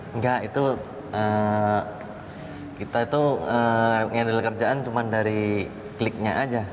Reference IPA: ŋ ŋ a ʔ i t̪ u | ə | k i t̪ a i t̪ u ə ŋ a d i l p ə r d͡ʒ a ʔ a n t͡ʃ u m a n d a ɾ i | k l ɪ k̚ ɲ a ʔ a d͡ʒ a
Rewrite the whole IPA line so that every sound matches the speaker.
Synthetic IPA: ŋ ɡ a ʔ i t̪ u | ə | k i t̪ a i t̪ u ə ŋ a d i l k ə r d͡ʒ a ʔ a n t͡ʃ u m a n d a ɾ i | k l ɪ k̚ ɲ a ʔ a d͡ʒ a